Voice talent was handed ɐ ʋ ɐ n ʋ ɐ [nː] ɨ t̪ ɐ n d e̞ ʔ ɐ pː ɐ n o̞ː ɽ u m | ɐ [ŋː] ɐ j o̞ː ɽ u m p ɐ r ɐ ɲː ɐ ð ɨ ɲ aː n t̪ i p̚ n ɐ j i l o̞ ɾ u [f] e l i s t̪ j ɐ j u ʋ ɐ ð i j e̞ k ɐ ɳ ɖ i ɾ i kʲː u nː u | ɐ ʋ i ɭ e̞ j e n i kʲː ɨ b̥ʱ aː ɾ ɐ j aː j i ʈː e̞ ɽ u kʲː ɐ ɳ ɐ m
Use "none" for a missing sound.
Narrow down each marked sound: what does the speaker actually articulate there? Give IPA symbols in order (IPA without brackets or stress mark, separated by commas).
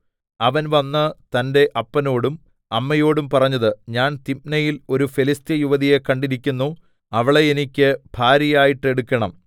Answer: nː, mː, f